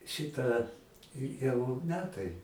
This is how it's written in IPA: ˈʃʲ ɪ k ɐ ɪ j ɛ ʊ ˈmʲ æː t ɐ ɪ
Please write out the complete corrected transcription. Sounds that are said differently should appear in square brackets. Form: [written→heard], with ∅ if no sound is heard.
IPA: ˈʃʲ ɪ [k→t] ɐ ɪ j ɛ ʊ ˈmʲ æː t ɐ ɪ